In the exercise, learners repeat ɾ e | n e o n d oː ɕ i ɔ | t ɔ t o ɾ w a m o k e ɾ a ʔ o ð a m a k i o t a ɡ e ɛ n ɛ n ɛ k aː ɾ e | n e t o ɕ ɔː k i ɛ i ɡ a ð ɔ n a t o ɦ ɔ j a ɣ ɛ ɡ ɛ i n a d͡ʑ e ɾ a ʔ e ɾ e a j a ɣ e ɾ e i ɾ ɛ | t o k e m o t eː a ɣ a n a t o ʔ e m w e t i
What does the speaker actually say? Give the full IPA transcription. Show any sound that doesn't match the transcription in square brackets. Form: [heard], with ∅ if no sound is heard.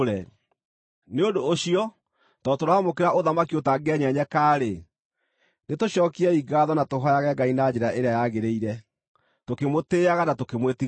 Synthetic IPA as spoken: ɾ [ɛ] | n e o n d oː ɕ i ɔ | t ɔ t o ɾ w a m o k e ɾ a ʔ o ð a m a k i o t a ɡ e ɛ [ɲ] ɛ [ɲ] ɛ k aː ɾ e | n e t o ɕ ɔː k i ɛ i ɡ a ð ɔ n a t o ɦ ɔ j a ɣ ɛ ɡ [a] i n a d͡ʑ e ɾ a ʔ e ɾ e a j a ɣ e ɾ e i ɾ ɛ | t o k e m o t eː a ɣ a n a t o [k] e m w e t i